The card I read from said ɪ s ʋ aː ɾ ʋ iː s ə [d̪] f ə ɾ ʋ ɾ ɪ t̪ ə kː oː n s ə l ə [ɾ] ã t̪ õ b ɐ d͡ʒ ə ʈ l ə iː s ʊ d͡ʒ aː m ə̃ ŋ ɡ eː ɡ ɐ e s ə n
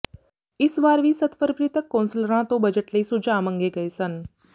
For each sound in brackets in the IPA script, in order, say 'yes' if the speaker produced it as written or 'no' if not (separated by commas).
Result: no, yes